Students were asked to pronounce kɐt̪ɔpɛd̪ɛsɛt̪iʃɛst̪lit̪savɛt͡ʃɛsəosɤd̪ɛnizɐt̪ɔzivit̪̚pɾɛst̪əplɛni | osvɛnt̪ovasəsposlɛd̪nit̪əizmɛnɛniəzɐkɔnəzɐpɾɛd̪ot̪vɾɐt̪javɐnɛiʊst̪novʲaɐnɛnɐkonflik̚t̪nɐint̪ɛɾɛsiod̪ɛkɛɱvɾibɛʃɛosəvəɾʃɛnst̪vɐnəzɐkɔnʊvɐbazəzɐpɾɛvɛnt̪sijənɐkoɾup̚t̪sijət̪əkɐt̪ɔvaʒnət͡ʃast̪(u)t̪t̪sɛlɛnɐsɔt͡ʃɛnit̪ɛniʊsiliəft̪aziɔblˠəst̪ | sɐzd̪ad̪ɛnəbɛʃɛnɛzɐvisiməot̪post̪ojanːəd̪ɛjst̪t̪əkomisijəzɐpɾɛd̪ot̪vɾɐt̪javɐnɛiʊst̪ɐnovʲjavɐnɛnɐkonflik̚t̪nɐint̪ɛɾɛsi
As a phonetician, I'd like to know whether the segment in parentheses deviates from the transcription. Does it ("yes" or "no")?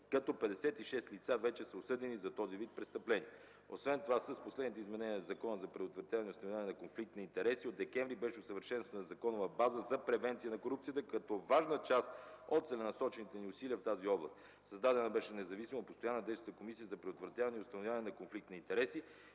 yes